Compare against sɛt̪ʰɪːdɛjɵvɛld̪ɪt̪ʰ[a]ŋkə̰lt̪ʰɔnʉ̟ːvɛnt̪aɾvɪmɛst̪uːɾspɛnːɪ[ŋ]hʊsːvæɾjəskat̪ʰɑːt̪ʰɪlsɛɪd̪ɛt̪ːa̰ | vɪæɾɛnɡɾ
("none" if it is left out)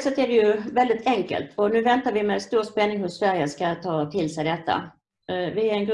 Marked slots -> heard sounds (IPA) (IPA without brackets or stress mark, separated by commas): ɛ, ŋ